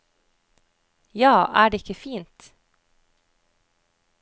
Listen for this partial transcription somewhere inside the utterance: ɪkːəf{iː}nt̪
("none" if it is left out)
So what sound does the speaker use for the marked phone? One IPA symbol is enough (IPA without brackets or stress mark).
iː